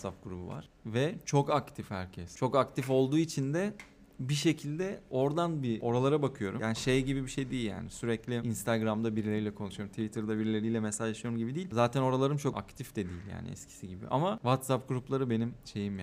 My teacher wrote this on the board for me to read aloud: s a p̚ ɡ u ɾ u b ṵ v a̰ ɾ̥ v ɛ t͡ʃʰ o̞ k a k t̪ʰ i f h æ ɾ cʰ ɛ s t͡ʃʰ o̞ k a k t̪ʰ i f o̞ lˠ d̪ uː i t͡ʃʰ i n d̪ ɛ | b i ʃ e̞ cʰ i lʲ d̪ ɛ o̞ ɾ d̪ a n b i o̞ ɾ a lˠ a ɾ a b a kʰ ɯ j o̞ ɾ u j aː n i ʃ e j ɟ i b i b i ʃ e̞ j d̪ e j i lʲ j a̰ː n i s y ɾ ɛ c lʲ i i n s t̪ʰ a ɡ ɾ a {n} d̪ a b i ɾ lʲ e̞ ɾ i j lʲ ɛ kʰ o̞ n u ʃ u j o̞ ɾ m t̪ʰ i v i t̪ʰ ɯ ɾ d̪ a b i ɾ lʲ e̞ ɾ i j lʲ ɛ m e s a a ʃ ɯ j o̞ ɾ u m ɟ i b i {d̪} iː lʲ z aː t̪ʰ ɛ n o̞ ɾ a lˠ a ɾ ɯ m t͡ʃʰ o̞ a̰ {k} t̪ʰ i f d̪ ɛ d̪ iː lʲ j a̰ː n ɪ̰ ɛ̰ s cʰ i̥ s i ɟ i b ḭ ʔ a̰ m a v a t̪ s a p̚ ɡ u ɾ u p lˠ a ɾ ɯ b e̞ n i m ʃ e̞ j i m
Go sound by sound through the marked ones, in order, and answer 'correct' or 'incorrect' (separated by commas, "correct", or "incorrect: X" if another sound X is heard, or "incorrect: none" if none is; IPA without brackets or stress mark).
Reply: incorrect: m, correct, correct